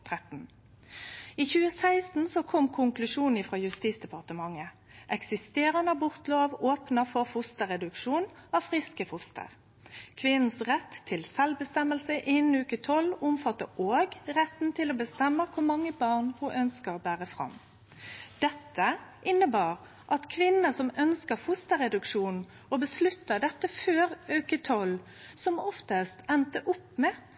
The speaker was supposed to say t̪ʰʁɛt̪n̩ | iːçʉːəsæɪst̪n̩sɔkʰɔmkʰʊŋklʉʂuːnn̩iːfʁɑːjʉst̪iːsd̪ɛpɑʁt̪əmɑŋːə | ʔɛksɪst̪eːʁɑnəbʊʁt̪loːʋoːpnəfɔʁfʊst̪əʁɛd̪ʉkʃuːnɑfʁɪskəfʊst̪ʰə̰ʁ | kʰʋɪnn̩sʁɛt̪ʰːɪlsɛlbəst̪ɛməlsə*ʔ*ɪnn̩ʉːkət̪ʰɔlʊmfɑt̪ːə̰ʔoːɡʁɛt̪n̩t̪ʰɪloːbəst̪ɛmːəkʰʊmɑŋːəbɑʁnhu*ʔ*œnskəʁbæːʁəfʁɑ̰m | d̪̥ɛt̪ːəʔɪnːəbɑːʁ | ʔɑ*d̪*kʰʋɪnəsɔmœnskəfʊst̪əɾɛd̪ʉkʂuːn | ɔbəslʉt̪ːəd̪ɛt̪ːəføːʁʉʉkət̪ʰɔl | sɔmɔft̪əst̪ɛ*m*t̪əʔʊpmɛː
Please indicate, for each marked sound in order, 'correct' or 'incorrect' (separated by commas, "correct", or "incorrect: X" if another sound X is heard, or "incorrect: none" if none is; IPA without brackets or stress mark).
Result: correct, correct, incorrect: t̪, incorrect: n